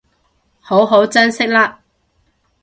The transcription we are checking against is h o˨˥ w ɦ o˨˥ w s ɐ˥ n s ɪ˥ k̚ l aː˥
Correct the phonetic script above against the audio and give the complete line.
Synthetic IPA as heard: h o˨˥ w ɦ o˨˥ w t͡s ɐ˥ n s ɪ˥ k̚ l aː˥